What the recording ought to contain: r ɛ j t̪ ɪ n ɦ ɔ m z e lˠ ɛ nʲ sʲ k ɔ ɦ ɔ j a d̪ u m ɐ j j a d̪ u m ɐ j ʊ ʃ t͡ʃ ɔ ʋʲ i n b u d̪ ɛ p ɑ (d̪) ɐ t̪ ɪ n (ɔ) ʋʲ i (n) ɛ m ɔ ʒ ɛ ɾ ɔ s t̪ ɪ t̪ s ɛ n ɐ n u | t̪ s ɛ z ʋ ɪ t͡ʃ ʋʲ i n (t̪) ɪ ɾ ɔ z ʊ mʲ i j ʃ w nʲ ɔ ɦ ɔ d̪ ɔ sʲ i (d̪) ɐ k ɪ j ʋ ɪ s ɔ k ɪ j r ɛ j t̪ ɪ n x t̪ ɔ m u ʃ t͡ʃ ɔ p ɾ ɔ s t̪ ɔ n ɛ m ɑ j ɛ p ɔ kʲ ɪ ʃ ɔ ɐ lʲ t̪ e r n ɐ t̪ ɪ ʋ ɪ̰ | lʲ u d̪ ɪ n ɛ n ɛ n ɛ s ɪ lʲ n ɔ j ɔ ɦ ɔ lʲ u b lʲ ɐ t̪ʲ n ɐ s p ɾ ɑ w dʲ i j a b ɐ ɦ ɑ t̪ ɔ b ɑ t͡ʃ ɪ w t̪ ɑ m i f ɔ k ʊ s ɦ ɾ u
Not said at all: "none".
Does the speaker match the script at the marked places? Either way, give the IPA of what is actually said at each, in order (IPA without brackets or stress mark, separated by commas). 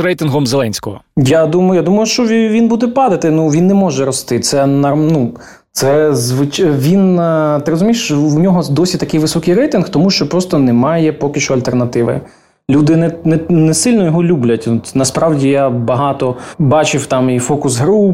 d̪, u, nː, t̪, t̪